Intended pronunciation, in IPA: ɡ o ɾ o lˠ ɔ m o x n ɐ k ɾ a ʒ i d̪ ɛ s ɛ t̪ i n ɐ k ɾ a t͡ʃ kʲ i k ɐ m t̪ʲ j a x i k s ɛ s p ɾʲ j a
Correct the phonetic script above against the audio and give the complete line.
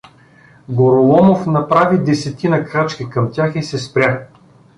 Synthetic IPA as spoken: ɡ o ɾ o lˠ ɔ m o f n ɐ p ɾ a v i d̪ ɛ s ɛ t̪ i n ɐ k ɾ a t͡ʃ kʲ i k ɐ m t̪ʲ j a x i s ɛ s p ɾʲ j a